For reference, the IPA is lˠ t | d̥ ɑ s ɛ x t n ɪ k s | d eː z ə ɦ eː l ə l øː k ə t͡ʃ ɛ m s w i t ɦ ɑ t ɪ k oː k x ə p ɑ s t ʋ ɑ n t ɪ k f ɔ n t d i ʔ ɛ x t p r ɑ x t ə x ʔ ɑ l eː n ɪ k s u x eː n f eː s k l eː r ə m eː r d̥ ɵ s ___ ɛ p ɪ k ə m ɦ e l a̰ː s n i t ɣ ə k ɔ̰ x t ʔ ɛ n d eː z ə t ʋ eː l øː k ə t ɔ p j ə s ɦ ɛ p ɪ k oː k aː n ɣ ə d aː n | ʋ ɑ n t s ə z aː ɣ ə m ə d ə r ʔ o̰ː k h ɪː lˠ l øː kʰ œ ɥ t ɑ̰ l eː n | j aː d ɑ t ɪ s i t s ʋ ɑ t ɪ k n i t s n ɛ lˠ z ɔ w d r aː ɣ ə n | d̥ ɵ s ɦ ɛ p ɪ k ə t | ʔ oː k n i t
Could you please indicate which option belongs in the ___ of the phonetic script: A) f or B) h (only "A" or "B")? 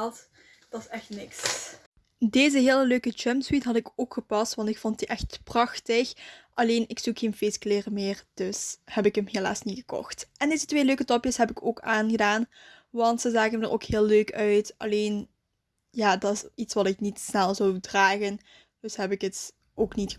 B